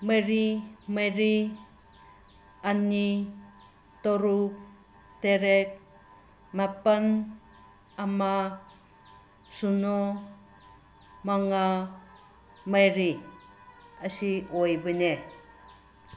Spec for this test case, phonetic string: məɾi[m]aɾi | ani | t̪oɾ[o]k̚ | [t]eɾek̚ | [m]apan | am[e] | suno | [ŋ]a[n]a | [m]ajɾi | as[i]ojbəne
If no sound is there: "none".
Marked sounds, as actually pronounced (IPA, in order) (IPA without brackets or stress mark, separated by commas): m, u, t, m, a, m, ŋ, m, i